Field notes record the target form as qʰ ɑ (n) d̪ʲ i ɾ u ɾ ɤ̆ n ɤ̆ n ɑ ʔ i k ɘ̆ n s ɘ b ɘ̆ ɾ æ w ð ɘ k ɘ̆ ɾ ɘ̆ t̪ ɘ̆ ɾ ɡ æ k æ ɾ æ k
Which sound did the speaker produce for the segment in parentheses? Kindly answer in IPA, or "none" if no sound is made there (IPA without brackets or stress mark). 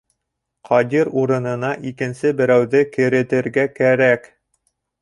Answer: none